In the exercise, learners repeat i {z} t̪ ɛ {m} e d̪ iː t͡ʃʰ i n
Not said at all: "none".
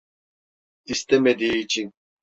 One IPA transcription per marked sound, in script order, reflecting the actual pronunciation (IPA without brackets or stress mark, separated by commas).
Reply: s, m